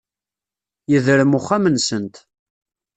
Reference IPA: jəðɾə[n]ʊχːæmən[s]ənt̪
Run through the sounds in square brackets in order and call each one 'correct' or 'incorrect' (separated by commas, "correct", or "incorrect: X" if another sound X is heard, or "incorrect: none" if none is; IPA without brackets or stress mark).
incorrect: m, correct